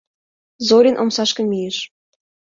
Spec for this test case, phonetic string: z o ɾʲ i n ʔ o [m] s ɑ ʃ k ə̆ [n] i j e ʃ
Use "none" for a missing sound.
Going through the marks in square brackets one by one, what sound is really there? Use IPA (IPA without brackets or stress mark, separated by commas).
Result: m, m